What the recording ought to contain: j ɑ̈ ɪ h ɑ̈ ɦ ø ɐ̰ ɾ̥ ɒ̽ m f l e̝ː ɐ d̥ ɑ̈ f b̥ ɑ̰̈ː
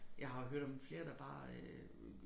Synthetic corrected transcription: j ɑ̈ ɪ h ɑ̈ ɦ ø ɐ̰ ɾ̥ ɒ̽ m f l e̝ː ɐ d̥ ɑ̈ b̥ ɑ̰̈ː